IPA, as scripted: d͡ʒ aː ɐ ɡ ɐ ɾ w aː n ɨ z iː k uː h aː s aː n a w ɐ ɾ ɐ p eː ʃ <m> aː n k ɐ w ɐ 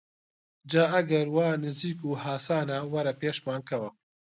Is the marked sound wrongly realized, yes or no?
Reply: no